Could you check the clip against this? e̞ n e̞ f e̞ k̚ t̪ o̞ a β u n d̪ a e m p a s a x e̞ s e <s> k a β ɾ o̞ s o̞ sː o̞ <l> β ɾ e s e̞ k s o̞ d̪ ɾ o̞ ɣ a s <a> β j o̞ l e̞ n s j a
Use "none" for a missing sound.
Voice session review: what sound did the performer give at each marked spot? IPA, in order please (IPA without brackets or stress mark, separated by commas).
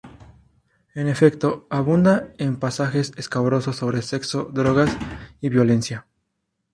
s, none, i